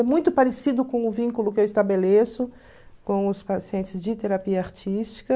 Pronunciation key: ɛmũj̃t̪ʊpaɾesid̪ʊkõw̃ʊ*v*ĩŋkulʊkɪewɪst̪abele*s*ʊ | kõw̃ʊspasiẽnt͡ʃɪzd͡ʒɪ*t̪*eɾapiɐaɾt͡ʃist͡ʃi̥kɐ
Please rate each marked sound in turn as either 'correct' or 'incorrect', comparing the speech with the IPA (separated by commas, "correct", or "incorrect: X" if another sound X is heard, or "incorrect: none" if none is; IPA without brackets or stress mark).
correct, correct, correct